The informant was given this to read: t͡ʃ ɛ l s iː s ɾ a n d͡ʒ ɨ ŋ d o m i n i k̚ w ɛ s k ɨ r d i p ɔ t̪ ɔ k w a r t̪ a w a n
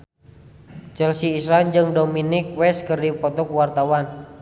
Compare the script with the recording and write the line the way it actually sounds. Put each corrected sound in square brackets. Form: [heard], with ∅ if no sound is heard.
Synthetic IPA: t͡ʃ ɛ l s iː s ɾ a n d͡ʒ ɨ ŋ d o m i n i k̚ w ɛ s k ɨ r d i p ɔ t̪ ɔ k w a r t̪ a w a n